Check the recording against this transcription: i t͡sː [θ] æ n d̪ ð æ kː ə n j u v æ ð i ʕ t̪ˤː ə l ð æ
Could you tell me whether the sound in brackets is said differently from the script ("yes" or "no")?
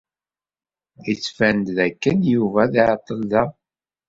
yes